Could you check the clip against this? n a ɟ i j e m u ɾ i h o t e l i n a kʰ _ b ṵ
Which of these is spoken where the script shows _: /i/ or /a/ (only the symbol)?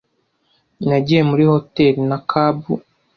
a